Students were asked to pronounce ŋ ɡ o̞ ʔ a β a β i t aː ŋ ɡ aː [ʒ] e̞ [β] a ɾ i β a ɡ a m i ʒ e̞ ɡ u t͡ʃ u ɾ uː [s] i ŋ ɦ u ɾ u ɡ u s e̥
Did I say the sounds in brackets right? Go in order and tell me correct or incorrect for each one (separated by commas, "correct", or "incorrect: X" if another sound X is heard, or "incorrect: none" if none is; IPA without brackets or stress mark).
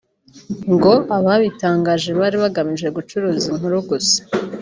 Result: correct, correct, incorrect: z